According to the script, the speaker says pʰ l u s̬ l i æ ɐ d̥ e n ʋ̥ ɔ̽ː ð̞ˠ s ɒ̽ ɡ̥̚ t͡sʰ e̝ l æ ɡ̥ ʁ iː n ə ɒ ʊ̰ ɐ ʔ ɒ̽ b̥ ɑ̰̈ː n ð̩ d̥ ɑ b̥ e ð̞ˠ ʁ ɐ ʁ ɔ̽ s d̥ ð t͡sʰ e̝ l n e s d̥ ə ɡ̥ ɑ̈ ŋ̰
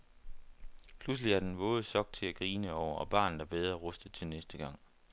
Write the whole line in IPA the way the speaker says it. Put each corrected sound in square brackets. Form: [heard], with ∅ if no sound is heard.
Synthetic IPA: pʰ l u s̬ l i æ ɐ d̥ e n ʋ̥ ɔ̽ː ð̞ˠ s ɒ̽ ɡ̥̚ t͡sʰ e̝ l æ ɡ̥ ʁ iː n ə ɒ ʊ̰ ɐ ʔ ɒ̽ b̥ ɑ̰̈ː n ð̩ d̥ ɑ b̥ e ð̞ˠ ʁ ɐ ʁ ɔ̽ s d̥ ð t͡sʰ e̝ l n e s d̥ ə ɡ̥ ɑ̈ ŋ̰